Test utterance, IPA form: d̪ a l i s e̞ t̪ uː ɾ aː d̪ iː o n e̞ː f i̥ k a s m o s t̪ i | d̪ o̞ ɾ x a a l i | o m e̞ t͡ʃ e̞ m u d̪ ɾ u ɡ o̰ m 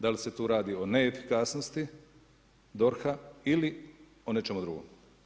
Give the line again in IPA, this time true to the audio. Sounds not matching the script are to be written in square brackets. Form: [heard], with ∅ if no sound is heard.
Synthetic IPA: d̪ a l i s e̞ t̪ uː ɾ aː d̪ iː o n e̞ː f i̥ k a s [n] o s t̪ i | d̪ o̞ ɾ x a [i] l i | o [n] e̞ t͡ʃ e̞ m u d̪ ɾ u ɡ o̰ m